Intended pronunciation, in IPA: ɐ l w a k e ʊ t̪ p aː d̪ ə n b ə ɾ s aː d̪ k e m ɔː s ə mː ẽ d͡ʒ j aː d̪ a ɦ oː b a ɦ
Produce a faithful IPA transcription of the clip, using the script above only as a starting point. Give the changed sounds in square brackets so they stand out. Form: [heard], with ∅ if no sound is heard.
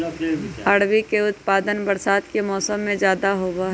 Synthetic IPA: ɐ [ɽ] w [i] k e ʊ t̪ p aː d̪ ə n b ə ɾ s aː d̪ k e m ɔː s ə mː ẽ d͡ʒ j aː d̪ a ɦ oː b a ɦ